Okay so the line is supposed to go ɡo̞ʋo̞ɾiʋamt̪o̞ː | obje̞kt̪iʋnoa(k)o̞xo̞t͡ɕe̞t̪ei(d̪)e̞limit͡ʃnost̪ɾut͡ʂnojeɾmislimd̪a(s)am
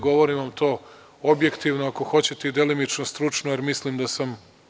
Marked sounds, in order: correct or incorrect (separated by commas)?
correct, correct, correct